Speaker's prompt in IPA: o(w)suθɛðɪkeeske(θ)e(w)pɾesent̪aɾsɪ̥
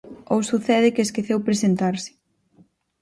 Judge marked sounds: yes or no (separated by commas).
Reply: yes, yes, yes